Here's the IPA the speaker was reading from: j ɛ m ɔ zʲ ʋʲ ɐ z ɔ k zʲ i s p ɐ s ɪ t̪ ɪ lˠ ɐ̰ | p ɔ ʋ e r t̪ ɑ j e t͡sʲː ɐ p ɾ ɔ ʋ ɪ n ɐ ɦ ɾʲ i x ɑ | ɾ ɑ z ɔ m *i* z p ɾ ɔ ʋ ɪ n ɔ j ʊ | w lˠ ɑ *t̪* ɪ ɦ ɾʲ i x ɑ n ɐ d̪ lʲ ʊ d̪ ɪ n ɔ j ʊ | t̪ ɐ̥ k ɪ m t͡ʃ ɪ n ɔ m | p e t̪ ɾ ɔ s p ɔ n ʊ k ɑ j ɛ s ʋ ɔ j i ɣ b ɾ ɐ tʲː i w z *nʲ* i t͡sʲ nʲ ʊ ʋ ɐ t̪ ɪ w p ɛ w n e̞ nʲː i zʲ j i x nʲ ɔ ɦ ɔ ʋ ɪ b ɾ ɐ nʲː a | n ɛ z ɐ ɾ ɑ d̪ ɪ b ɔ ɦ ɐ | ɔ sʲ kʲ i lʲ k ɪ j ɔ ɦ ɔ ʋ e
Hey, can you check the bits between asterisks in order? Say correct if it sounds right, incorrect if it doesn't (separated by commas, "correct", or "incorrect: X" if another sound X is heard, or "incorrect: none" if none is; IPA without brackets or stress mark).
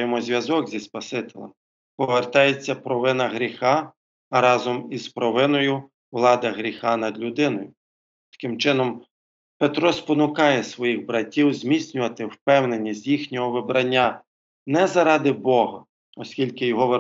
correct, incorrect: d̪, incorrect: mʲ